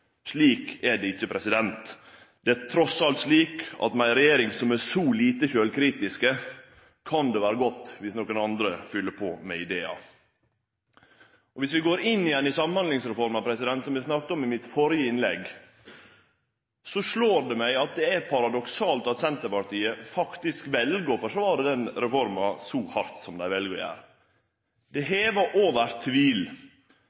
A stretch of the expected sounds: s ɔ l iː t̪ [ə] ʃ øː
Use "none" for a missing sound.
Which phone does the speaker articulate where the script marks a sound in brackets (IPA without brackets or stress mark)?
ə